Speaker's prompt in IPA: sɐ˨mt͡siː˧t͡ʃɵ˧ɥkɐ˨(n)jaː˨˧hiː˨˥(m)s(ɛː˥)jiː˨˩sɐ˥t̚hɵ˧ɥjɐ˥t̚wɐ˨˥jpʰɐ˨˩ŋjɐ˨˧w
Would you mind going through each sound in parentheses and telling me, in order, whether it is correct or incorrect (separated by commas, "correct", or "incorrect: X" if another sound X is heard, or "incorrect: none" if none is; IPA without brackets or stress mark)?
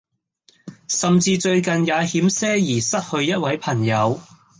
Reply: correct, correct, correct